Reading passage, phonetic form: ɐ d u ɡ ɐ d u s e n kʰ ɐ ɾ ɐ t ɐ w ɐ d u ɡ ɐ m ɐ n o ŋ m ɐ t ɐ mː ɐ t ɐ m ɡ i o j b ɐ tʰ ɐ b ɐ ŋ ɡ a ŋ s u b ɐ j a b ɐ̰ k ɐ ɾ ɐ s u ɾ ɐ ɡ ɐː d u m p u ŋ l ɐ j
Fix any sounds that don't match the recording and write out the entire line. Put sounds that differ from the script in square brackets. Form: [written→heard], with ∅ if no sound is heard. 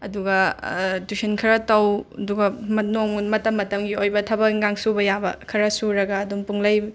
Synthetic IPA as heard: ɐ d u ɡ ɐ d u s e n kʰ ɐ ɾ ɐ t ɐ w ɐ d u ɡ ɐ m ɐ n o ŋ m ɐ t ɐ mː ɐ t ɐ m ɡ i o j b ɐ tʰ ɐ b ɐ ŋ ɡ a ŋ s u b ɐ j a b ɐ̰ [k→kʰ] ɐ ɾ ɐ s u ɾ ɐ ɡ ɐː d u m p u ŋ l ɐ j